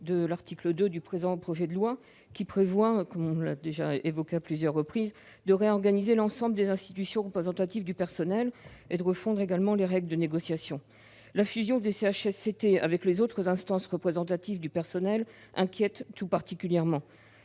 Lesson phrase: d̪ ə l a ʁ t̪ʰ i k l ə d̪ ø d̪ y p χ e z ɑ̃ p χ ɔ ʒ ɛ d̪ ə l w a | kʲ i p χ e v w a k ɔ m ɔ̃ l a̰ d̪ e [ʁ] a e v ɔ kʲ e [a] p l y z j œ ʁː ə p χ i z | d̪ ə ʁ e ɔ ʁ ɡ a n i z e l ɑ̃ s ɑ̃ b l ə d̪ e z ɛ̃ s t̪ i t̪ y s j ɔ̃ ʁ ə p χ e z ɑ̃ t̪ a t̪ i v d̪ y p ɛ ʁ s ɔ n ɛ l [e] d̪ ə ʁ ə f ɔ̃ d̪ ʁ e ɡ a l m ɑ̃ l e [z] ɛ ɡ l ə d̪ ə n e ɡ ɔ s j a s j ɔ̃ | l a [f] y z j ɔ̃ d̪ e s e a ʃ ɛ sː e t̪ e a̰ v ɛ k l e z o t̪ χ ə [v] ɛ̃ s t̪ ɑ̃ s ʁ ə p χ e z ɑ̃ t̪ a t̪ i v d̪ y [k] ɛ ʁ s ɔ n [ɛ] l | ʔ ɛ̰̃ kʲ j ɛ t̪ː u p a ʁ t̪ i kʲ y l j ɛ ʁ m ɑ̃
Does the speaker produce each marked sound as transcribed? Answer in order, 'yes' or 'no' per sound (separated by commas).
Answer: no, yes, yes, no, yes, no, no, yes